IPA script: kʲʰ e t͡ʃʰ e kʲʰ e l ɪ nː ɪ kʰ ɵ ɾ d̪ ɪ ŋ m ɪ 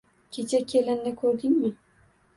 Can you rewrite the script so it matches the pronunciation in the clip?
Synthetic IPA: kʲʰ e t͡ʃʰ a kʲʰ e l ɪ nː ɪ kʰ ɵ ɾ d̪ ɪ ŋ m ɪ